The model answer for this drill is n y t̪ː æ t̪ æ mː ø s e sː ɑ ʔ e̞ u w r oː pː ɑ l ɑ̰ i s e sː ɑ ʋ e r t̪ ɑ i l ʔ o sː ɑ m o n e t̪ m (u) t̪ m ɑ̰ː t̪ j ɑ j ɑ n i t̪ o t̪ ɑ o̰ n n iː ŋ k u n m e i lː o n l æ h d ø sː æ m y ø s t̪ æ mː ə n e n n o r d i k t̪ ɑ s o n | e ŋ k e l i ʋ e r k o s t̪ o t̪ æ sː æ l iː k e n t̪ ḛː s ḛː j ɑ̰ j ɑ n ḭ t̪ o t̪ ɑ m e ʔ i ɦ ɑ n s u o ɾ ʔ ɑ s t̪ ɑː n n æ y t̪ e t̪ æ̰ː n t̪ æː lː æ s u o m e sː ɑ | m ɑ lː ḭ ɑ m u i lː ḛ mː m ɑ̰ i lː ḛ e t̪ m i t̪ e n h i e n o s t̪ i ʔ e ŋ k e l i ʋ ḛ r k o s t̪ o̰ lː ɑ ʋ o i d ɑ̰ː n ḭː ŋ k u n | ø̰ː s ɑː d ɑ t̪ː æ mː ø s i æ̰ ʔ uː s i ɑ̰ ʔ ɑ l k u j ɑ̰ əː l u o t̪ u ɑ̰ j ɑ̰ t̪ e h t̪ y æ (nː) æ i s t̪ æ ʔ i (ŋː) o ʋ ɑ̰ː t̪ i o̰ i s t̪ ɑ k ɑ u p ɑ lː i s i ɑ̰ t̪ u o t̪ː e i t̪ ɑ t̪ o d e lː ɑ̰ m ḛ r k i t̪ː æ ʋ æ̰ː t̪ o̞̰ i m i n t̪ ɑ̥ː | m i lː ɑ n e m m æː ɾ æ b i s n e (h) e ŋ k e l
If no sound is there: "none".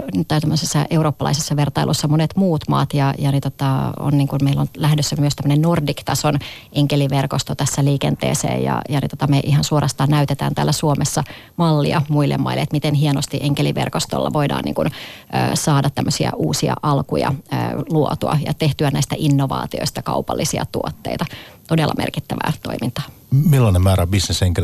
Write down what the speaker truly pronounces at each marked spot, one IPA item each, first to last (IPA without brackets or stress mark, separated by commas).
uː, n, nː, s